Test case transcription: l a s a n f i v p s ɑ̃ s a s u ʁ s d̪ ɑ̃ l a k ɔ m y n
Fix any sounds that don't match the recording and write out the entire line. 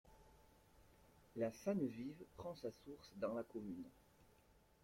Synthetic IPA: l a s a n v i v p χ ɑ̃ s a s u ʁ s d̪ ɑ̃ l a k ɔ m y n